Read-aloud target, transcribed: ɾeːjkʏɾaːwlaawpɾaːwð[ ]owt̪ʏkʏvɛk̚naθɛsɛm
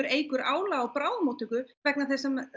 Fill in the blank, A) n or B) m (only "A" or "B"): B